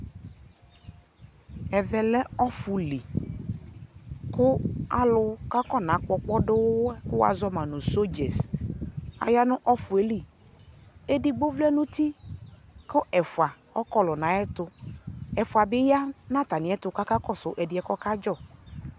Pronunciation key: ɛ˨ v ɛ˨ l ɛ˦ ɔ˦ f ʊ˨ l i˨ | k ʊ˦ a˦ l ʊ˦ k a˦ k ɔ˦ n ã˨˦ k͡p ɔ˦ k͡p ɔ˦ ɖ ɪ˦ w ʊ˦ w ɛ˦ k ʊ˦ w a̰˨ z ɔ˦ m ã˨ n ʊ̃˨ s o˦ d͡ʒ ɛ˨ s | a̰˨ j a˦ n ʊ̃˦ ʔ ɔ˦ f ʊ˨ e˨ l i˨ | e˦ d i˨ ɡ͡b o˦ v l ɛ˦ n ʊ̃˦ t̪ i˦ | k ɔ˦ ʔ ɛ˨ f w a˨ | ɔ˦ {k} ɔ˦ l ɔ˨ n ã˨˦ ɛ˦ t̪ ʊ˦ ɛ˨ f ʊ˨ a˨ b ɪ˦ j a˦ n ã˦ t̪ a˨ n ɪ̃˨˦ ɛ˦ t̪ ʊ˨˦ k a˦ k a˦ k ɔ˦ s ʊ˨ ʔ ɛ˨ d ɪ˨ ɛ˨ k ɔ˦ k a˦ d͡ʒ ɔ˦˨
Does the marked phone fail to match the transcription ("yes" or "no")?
no